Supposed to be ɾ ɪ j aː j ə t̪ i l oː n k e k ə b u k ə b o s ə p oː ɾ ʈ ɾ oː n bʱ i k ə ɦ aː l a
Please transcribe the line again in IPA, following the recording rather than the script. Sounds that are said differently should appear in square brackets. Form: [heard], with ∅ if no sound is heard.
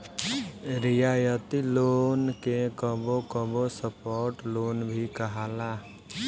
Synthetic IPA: ɾ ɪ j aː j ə t̪ i l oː n k e k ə b [o] k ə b o s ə p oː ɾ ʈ [l] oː n bʱ i k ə ɦ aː l a